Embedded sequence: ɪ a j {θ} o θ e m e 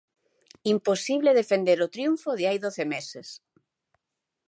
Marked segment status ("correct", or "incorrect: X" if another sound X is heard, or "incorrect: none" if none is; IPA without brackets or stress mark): incorrect: ð